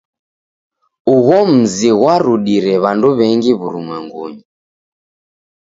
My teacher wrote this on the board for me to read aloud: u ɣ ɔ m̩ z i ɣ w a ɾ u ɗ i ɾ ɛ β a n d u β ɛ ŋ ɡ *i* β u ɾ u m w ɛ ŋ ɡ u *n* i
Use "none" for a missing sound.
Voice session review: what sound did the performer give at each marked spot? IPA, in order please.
i, ɲ

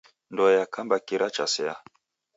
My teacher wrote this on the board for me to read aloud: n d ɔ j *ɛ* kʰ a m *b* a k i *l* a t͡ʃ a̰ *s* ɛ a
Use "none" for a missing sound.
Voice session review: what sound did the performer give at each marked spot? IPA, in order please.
a, b, ɾ, s

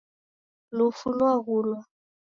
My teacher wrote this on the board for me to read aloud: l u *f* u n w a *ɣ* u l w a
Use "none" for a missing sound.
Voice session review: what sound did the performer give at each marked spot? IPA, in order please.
f, ɣ

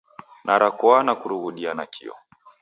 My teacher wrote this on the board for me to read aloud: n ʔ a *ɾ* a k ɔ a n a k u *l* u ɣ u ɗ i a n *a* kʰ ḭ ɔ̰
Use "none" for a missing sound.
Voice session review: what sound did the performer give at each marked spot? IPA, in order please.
ɾ, ɾ, a

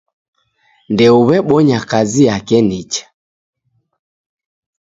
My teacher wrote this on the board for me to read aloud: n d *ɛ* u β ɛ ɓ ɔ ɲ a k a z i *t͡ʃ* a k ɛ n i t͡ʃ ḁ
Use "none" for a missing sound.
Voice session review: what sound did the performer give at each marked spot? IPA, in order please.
ɛ, none

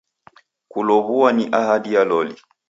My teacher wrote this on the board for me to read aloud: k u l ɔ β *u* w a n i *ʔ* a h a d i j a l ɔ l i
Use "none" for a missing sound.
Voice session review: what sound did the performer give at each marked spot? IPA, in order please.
u, ʔ

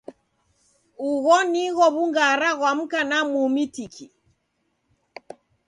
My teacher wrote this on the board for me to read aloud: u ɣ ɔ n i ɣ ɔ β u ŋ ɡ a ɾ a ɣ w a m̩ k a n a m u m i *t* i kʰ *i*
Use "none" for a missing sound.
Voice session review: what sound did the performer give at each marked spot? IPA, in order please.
t, i

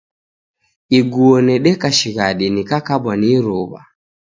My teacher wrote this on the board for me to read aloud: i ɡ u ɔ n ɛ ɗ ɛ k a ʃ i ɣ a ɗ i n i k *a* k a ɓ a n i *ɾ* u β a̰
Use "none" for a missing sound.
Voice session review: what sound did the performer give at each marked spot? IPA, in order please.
a, ɾ

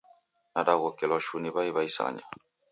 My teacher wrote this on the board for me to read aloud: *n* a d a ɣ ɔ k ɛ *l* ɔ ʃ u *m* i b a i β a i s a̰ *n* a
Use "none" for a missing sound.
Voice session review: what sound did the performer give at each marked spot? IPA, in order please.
n, l, n, ɲ

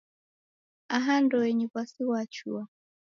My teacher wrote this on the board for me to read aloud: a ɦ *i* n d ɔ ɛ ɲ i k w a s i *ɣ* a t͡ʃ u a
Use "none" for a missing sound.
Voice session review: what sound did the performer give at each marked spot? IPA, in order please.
a, w

